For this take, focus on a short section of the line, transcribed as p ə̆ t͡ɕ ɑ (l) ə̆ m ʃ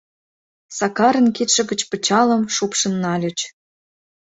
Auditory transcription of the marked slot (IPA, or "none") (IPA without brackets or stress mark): l